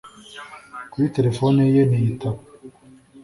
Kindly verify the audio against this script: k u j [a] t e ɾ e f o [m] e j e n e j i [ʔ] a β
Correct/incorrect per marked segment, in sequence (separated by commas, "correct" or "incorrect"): incorrect, incorrect, incorrect